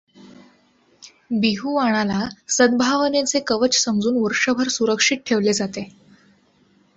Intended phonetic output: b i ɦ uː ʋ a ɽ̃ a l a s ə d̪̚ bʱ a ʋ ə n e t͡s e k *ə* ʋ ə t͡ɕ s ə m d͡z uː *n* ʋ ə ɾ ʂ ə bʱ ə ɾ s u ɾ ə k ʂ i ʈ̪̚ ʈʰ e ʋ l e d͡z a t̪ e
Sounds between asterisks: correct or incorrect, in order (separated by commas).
correct, correct